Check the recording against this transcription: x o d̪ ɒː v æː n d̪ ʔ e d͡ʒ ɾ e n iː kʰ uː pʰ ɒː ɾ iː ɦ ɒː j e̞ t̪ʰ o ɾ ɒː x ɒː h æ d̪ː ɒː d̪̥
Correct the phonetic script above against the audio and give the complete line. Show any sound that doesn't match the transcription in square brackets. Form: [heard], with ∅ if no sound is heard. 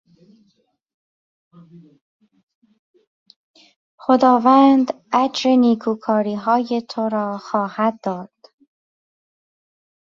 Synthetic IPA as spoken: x o d̪ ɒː v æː n d̪ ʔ [æ] d͡ʒ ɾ e n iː kʰ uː [kʰ] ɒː ɾ iː ɦ ɒː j e̞ t̪ʰ o ɾ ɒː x ɒː h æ d̪ː ɒː d̪̥